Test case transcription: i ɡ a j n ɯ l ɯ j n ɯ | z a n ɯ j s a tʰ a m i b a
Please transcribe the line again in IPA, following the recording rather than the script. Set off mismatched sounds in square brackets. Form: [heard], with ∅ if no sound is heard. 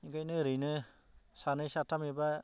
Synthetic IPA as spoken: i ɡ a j n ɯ [ɾ] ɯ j n ɯ | [s] a n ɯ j s a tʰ a m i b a